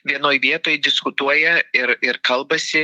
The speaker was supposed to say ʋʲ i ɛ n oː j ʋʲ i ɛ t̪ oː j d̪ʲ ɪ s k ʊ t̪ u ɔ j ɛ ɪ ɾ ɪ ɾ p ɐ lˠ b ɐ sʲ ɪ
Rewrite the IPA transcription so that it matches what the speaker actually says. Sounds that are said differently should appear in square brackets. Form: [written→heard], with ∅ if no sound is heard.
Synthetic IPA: ʋʲ i ɛ n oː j ʋʲ i ɛ t̪ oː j d̪ʲ ɪ s k ʊ t̪ u ɔ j ɛ ɪ ɾ ɪ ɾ [p→k] ɐ lˠ b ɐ sʲ ɪ

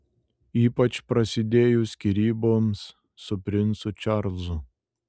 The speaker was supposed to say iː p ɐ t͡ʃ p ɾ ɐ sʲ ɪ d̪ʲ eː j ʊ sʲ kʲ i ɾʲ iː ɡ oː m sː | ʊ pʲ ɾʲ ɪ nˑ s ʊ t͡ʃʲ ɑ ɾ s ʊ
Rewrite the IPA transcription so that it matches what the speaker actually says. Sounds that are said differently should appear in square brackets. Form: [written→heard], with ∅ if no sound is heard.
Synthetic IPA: iː p ɐ t͡ʃ p ɾ ɐ sʲ ɪ d̪ʲ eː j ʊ sʲ kʲ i ɾʲ iː [ɡ→b] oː m sː | ʊ pʲ ɾʲ ɪ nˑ s ʊ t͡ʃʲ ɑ ɾ [s→z] ʊ

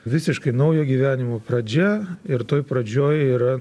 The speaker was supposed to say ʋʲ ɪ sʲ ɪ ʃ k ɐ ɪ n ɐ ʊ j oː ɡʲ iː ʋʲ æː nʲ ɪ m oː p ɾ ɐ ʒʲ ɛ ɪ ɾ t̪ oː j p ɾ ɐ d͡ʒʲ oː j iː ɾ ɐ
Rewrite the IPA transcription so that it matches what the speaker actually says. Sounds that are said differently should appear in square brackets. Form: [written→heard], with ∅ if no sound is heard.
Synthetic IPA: ʋʲ ɪ sʲ ɪ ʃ k ɐ ɪ n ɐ ʊ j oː ɡʲ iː ʋʲ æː nʲ ɪ m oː p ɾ ɐ [ʒʲ→d͡ʒʲ] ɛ ɪ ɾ t̪ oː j p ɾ ɐ d͡ʒʲ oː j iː ɾ ɐ

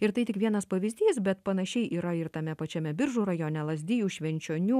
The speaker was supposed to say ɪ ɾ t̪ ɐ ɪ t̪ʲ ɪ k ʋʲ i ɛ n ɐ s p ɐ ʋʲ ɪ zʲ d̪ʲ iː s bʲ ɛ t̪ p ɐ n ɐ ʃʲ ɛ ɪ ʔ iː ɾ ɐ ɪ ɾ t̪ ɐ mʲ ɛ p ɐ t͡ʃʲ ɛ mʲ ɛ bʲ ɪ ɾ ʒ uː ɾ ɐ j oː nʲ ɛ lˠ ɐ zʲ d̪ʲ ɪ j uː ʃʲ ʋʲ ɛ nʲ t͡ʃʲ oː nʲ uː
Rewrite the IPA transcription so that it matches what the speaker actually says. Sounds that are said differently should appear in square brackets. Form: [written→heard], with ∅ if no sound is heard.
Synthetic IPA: ɪ ɾ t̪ ɐ ɪ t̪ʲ ɪ k ʋʲ i ɛ n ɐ s p ɐ ʋʲ ɪ zʲ d̪ʲ iː s bʲ ɛ t̪ p ɐ n ɐ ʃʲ ɛ ɪ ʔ iː ɾ ɐ ɪ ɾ t̪ ɐ mʲ ɛ p ɐ t͡ʃʲ ɛ mʲ ɛ bʲ ɪ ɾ ʒ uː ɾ ɐ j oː nʲ ɛ lˠ ɐ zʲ d̪ʲ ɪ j uː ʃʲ ʋʲ ɛ nʲ t͡ʃʲ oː nʲ uː

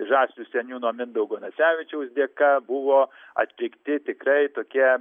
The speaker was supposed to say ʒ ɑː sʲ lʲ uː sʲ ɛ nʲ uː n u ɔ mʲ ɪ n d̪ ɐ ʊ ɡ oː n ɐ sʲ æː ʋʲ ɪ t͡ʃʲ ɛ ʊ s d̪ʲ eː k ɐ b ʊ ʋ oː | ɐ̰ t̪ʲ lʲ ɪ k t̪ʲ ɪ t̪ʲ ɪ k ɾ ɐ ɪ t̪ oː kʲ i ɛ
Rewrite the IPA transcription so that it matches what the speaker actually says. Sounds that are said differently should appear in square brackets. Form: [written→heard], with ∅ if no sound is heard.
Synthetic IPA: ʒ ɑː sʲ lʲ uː sʲ ɛ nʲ uː n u ɔ mʲ ɪ n d̪ ɐ ʊ ɡ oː n ɐ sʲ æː ʋʲ ɪ t͡ʃʲ ɛ ʊ s d̪ʲ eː k ɐ b ʊ ʋ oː | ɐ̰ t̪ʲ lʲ ɪ k t̪ʲ ɪ t̪ʲ ɪ k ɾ ɐ ɪ t̪ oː kʲ i ɛ

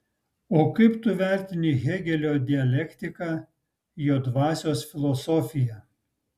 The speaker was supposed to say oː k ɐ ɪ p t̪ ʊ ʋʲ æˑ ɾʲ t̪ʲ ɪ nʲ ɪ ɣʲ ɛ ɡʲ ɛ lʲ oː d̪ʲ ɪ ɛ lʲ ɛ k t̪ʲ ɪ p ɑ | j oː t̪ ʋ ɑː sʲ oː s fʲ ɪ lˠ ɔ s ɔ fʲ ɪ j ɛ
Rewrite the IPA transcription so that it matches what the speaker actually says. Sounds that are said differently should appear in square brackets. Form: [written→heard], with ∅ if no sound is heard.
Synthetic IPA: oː k ɐ ɪ p t̪ ʊ ʋʲ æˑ ɾʲ t̪ʲ ɪ nʲ ɪ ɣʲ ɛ ɡʲ ɛ lʲ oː d̪ʲ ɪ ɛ lʲ ɛ k t̪ʲ ɪ [p→k] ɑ | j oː [t̪→d̪] ʋ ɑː sʲ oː s fʲ ɪ lˠ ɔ s ɔ fʲ ɪ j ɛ

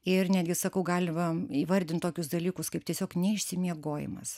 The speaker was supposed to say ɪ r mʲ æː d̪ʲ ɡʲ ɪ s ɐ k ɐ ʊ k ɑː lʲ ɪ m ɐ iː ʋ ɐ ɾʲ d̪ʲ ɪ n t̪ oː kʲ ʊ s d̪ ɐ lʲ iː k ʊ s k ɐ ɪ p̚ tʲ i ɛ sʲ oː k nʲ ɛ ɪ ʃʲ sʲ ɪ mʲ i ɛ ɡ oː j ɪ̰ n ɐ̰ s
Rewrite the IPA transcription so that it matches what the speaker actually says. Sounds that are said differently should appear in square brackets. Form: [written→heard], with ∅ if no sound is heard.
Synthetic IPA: ɪ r [mʲ→nʲ] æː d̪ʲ ɡʲ ɪ s ɐ k ɐ ʊ [k→ɡ] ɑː lʲ ɪ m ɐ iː ʋ ɐ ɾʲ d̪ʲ ɪ n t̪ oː kʲ ʊ s d̪ ɐ lʲ iː k ʊ s k ɐ ɪ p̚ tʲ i ɛ sʲ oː k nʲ ɛ ɪ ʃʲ sʲ ɪ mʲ i ɛ ɡ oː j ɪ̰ [n→m] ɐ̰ s

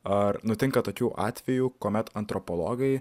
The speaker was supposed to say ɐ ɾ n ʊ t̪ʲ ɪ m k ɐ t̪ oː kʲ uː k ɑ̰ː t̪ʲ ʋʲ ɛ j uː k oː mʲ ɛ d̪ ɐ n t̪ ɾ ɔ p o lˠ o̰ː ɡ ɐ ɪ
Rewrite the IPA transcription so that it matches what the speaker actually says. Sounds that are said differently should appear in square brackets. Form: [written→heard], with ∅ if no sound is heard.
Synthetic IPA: ɐ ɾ n ʊ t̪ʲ ɪ [m→ŋ] k ɐ t̪ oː kʲ uː [k→ʔ] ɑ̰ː t̪ʲ ʋʲ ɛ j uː k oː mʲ ɛ [d̪→t̪] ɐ n t̪ ɾ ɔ p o lˠ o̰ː ɡ ɐ ɪ

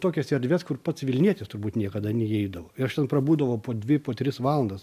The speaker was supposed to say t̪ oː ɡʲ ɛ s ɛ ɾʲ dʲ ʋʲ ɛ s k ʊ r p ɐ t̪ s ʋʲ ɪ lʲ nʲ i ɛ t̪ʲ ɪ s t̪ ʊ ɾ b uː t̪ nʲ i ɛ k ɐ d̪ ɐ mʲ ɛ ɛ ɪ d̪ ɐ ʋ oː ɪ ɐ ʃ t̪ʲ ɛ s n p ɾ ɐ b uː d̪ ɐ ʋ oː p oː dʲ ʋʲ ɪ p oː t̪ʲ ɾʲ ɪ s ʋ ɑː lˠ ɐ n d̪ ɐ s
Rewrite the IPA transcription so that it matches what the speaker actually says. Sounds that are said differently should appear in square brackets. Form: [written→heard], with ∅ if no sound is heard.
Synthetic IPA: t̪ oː [ɡʲ→kʲ] ɛ s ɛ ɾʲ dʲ ʋʲ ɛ s k ʊ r p ɐ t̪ s ʋʲ ɪ lʲ nʲ i ɛ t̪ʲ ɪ s t̪ ʊ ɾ b uː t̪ nʲ i ɛ k ɐ d̪ ɐ [mʲ→nʲ] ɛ ɛ ɪ d̪ ɐ ʋ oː ɪ ɐ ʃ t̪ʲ ɛ [s→∅] n p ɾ ɐ b uː d̪ ɐ ʋ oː p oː dʲ ʋʲ ɪ p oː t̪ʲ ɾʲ ɪ s ʋ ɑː lˠ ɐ n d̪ ɐ s

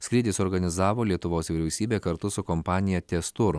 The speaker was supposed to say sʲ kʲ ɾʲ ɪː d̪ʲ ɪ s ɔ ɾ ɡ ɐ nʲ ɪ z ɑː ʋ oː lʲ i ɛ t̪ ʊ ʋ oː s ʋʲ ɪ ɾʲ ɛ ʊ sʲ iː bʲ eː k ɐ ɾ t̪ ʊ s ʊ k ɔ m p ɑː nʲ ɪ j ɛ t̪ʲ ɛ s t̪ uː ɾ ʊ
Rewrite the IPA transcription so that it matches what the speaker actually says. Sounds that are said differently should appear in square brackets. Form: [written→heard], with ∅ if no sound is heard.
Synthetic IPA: sʲ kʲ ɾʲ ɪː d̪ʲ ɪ s ɔ ɾ ɡ ɐ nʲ ɪ z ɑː ʋ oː lʲ i ɛ t̪ ʊ ʋ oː s ʋʲ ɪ ɾʲ ɛ ʊ sʲ iː bʲ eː k ɐ ɾ t̪ ʊ s ʊ k ɔ m p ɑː nʲ ɪ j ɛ t̪ʲ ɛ s t̪ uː ɾ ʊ

